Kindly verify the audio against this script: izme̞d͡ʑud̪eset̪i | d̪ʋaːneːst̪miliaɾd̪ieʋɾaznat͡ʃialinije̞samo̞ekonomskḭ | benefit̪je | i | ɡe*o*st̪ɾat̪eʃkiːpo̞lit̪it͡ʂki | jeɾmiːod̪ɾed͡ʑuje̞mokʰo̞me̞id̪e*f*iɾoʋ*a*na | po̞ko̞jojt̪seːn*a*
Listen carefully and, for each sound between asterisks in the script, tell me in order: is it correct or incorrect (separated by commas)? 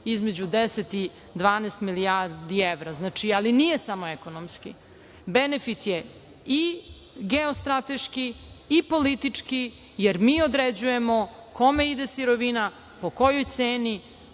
correct, incorrect, incorrect, incorrect